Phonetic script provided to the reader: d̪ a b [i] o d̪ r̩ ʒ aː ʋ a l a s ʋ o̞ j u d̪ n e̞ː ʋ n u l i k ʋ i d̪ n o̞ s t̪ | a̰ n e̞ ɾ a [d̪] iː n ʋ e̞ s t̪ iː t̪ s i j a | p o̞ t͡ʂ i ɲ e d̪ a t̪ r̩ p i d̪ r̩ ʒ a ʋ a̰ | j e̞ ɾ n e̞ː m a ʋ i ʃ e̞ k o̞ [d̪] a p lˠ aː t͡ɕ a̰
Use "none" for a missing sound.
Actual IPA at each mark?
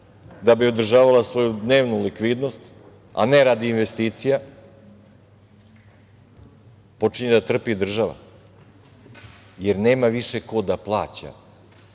i, d̪, d̪

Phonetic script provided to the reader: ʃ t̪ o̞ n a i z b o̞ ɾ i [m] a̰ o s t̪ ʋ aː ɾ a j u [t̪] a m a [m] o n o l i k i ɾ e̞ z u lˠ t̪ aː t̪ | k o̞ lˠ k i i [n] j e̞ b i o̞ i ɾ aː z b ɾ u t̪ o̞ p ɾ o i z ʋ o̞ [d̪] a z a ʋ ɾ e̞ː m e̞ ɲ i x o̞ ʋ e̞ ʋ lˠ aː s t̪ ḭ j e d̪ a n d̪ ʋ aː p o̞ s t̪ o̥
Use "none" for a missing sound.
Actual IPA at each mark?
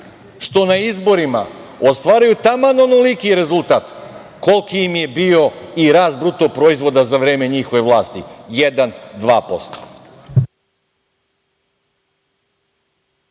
m, t̪, n, m, d̪

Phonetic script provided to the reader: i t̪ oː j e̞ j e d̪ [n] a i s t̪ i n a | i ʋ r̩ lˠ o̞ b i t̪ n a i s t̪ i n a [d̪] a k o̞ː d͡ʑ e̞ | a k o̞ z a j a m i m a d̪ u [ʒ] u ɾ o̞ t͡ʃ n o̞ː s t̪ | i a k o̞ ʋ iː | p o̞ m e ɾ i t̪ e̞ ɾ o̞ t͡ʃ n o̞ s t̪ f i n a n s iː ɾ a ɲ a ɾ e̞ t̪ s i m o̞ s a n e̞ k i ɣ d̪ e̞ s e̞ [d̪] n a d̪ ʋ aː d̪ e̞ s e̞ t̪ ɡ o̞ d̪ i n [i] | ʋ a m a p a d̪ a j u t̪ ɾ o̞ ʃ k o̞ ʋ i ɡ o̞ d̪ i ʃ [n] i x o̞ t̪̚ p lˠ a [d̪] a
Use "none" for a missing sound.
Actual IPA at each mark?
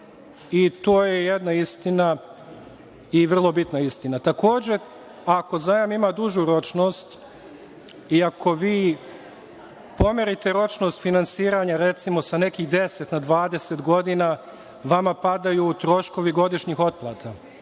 n, t̪, ʒ, t̪, a, ɲ, t̪

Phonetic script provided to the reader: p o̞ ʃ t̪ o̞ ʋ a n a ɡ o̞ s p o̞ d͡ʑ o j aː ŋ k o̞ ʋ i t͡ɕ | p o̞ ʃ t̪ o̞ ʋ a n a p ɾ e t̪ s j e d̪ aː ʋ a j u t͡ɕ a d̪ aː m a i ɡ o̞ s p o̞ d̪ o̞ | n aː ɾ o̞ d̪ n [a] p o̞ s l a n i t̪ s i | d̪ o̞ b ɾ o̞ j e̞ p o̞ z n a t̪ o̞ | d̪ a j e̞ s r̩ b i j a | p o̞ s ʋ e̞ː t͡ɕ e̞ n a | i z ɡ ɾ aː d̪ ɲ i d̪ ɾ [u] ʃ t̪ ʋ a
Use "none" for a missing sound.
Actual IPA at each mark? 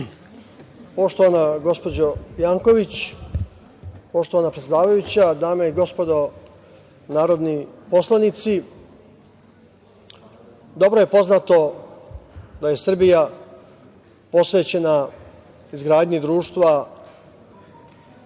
i, uː

